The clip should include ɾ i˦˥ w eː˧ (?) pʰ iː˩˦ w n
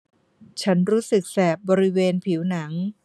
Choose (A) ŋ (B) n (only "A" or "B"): B